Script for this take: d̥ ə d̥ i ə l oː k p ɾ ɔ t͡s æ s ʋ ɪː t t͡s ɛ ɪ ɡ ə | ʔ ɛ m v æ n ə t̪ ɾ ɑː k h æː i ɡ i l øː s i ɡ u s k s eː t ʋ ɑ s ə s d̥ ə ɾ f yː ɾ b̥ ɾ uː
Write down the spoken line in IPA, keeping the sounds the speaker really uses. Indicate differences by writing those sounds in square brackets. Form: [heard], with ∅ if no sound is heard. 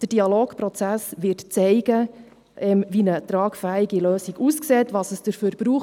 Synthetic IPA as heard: d̥ ə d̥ i [ɑ] l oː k p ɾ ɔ t͡s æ s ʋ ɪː t t͡s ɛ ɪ ɡ ə | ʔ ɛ m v [i] n ə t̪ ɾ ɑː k [f] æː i ɡ i l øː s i ɡ u s k s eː t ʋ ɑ s ə s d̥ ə ɾ f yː ɾ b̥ ɾ uː